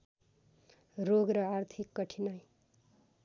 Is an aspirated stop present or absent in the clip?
present